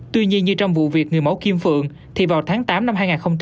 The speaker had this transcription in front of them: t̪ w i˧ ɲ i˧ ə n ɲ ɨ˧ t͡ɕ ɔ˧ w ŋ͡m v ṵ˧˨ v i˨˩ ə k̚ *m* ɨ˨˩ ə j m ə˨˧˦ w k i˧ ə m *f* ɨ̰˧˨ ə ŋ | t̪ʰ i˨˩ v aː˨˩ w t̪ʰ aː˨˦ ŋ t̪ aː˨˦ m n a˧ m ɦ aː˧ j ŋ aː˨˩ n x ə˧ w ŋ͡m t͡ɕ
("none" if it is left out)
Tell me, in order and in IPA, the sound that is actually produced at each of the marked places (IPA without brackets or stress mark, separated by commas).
ŋ, f